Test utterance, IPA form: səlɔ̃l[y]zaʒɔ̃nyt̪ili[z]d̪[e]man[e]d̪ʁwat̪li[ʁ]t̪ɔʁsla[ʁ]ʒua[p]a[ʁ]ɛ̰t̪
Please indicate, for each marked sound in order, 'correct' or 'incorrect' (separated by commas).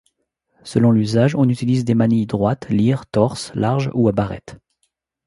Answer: correct, correct, correct, incorrect, correct, correct, incorrect, correct